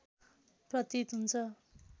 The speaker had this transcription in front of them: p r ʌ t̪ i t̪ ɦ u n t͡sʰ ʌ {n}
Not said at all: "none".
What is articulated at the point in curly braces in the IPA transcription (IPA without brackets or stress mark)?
none